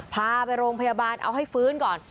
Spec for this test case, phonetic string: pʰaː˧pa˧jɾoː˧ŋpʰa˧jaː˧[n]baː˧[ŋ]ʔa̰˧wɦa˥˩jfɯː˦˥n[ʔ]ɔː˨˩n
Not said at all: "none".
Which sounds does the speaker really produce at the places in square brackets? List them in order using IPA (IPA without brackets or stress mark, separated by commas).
none, n, k